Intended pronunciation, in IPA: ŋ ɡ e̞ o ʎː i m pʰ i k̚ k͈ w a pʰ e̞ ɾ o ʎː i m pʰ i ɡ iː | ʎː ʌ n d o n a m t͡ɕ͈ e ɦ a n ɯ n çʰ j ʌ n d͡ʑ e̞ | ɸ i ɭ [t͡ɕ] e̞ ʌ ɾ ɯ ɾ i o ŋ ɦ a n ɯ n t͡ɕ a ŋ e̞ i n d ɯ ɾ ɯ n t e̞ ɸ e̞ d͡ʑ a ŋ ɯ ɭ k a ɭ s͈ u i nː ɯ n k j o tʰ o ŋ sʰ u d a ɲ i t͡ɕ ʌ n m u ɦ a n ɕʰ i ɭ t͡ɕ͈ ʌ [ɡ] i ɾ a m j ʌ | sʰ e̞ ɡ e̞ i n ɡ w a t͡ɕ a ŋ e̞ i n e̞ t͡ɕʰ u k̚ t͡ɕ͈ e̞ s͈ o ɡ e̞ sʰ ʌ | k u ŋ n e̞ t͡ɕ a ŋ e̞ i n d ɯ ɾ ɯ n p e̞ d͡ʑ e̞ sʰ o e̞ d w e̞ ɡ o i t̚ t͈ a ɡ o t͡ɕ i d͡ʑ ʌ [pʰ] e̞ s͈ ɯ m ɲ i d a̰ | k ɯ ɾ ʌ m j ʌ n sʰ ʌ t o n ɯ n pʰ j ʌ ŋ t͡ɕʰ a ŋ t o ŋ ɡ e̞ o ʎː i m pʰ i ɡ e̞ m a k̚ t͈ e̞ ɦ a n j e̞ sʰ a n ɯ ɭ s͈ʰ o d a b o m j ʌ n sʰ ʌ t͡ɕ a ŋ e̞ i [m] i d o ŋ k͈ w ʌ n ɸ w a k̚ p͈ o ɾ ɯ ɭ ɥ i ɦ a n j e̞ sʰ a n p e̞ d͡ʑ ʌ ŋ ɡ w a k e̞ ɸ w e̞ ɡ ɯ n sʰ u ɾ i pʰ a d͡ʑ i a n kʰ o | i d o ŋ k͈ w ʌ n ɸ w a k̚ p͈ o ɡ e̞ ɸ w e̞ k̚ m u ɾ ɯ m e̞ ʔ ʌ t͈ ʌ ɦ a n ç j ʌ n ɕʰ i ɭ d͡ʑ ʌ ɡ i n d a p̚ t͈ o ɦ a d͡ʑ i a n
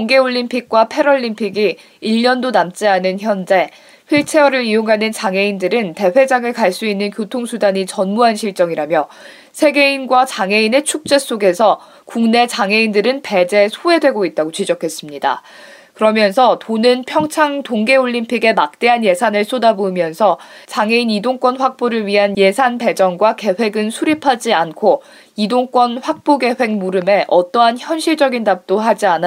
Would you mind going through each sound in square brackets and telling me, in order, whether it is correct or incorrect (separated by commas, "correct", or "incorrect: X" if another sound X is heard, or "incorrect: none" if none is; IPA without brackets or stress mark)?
incorrect: t͡ɕʰ, incorrect: ŋ, incorrect: kʰ, incorrect: n